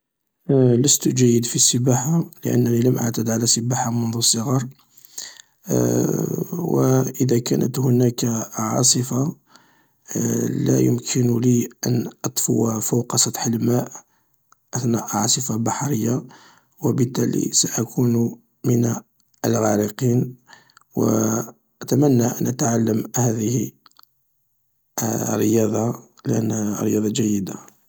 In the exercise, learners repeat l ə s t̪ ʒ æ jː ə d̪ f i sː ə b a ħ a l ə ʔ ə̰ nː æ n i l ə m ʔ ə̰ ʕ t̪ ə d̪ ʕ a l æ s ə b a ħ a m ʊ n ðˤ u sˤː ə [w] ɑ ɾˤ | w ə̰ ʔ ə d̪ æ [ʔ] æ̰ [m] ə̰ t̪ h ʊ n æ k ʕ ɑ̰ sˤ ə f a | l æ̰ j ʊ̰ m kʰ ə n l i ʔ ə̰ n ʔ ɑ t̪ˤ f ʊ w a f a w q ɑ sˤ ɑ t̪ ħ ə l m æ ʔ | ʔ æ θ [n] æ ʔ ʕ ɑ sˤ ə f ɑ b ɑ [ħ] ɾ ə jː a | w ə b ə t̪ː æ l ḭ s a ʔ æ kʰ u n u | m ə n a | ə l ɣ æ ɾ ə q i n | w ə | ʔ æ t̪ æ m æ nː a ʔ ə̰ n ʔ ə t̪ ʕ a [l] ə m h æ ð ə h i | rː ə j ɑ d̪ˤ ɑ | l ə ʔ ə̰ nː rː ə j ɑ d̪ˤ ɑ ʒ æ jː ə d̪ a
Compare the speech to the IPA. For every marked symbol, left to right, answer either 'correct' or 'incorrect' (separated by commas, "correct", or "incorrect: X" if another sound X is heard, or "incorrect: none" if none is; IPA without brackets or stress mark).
incorrect: ɣ, incorrect: k, incorrect: n, correct, correct, incorrect: lː